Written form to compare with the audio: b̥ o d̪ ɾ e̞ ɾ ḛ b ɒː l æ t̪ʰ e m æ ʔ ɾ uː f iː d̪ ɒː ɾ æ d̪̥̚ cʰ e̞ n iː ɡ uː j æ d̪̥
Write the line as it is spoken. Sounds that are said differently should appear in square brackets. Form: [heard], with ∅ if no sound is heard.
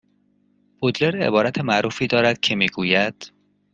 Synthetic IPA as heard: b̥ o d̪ [l] e̞ ɾ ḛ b ɒː [ɾ] æ t̪ʰ e m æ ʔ ɾ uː f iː d̪ ɒː ɾ æ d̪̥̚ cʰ e̞ [m] iː ɡ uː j æ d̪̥